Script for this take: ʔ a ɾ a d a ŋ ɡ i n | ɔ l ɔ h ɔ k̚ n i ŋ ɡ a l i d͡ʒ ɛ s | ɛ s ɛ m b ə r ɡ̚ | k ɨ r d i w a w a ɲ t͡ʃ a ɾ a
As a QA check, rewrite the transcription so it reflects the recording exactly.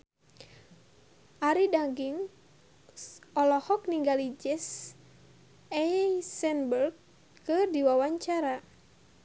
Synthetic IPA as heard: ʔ a ɾ i d a ŋ ɡ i ŋ | ɔ l ɔ h ɔ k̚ n i ŋ ɡ a l i d͡ʒ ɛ s | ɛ s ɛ n b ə r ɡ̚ | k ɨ r d i w a w a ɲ t͡ʃ a ɾ a